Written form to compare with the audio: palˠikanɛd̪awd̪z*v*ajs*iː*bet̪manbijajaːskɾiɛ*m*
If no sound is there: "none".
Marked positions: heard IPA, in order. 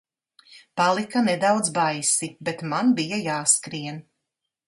b, i, n

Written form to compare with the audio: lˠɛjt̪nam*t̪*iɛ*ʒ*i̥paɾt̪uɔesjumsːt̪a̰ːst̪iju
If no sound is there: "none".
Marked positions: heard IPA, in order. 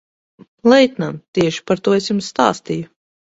t̪, ʃ

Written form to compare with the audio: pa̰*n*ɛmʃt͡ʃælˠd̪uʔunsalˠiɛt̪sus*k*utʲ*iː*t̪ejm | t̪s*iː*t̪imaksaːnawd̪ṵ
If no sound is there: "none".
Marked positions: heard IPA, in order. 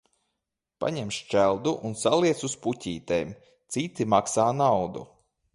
ɲ, p, iː, i

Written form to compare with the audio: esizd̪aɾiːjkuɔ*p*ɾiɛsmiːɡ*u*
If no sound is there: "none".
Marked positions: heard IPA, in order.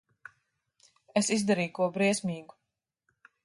b, u

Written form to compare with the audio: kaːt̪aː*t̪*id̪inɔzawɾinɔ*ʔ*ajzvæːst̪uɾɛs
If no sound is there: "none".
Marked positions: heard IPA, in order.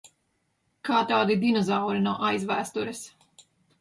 d̪, ʔ

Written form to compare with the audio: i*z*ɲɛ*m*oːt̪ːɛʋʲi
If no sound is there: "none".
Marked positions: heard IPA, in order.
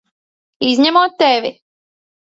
z, m

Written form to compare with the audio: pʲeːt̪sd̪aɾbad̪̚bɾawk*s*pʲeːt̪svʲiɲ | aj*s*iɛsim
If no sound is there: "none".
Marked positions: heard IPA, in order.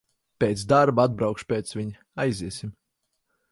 ʃ, z

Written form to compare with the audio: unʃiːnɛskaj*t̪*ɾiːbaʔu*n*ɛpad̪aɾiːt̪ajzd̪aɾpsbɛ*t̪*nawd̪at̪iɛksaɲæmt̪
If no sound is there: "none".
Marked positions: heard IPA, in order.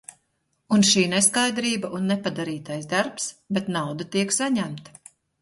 d̪, nː, t̪

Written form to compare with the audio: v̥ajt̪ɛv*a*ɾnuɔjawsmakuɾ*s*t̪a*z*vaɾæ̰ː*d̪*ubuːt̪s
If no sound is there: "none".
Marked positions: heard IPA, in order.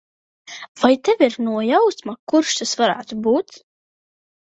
i, ʃ, s, t̪

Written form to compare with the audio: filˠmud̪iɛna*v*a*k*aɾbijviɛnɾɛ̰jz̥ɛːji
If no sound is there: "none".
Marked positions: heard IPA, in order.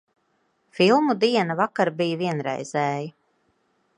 v, k

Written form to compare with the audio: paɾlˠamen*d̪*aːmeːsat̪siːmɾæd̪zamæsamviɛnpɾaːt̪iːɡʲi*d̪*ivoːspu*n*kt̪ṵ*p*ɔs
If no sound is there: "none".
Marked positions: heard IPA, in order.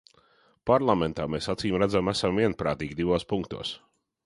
t̪, d̪, ŋ, none

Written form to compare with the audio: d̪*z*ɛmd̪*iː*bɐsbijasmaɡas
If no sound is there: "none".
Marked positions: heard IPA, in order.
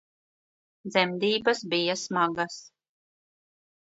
z, iː

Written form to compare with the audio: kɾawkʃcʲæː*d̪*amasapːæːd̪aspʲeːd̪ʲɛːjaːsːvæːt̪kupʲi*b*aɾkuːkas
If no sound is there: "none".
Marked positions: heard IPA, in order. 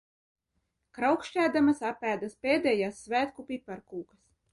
d̪, p

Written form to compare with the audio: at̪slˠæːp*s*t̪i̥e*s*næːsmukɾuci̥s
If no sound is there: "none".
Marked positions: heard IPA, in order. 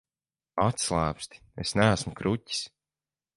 s, s

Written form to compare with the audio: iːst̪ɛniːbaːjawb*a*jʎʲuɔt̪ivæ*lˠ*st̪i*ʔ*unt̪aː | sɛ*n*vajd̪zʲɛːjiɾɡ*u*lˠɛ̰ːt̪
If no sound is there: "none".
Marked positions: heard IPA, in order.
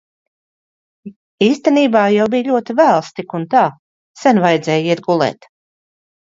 i, lˠ, k, n, u

